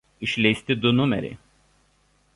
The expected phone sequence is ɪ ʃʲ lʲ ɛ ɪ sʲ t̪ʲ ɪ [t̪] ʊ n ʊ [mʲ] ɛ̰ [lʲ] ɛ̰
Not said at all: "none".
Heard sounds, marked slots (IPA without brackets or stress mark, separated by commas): d̪, mʲ, ɾʲ